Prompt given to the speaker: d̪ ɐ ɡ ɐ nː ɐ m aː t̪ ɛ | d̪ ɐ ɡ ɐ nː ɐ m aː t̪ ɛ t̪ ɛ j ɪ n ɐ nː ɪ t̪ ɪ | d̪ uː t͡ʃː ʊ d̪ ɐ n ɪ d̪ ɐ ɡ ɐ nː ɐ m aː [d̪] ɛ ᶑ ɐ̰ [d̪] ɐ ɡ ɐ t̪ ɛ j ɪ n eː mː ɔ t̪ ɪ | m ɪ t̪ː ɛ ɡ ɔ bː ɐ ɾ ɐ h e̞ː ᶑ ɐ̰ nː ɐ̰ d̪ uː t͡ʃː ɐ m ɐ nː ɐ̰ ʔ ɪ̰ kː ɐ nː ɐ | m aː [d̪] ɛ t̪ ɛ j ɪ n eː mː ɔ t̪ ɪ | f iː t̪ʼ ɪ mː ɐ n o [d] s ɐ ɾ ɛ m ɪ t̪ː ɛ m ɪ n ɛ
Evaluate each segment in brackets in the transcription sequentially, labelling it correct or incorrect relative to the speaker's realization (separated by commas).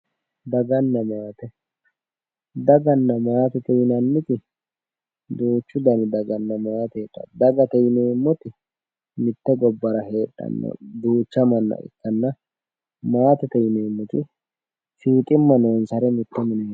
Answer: incorrect, correct, incorrect, incorrect